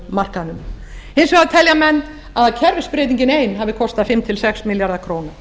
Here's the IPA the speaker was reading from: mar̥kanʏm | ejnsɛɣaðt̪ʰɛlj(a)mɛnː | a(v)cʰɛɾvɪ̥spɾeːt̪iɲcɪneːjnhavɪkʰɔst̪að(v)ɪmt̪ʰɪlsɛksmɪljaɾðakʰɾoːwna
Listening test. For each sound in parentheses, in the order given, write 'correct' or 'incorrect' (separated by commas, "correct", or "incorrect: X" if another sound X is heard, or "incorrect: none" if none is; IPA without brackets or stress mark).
correct, incorrect: ð, incorrect: f